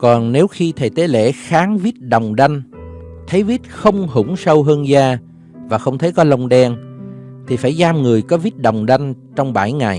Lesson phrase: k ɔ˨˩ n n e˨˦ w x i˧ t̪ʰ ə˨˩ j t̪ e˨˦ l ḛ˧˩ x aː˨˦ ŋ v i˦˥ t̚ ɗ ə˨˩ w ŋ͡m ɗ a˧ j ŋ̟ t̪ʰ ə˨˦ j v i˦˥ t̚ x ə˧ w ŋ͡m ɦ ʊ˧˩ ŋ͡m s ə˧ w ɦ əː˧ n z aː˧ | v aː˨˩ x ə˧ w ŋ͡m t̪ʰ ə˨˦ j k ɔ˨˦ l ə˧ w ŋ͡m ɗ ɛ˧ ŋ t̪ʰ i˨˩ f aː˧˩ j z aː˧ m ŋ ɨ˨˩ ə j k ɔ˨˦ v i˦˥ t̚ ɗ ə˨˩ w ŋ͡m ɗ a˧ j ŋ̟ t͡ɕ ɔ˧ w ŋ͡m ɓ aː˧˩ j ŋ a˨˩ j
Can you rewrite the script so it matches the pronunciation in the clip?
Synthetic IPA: k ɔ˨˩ n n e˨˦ w x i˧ t̪ʰ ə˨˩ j t̪ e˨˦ l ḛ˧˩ x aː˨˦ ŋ v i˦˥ t̚ ɗ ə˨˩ w ŋ͡m ɗ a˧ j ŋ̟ t̪ʰ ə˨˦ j v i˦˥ t̚ x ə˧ w ŋ͡m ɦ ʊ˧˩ ŋ͡m s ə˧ w ɦ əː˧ n z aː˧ | v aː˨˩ x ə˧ w ŋ͡m t̪ʰ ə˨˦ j k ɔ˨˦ l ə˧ w ŋ͡m ɗ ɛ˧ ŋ t̪ʰ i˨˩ f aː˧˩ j z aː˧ m ŋ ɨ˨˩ ə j k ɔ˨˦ v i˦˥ t̚ ɗ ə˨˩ w ŋ͡m ɗ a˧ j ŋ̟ t͡ɕ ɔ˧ w ŋ͡m ɓ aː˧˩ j ŋ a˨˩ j